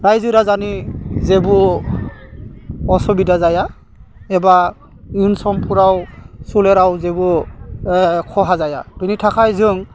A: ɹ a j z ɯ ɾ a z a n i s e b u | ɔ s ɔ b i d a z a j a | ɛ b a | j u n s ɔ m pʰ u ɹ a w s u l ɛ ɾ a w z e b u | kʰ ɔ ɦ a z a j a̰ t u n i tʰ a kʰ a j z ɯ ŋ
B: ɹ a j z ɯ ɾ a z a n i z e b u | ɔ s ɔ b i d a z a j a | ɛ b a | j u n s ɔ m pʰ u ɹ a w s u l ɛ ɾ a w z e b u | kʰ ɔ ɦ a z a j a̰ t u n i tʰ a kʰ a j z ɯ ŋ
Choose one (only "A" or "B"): B